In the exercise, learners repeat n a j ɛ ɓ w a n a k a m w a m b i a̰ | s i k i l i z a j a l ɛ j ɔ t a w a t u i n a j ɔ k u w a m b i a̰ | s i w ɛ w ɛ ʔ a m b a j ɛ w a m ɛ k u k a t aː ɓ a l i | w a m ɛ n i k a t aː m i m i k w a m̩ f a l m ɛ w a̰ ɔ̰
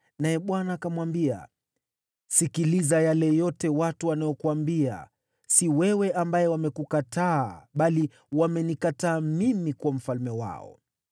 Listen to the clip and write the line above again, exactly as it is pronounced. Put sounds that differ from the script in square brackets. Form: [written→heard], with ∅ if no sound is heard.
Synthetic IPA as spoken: n a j ɛ ɓ w a n a k a m w a m b i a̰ | s i k i l i z a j a l ɛ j ɔ t [a→ɛ] w a t u [i→a] n a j ɔ k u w a m b i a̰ | s i w ɛ w ɛ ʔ a m b a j ɛ w a m ɛ k u k a t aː ɓ a l i | w a m ɛ n i k a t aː m i m i k w a m̩ f a l m ɛ w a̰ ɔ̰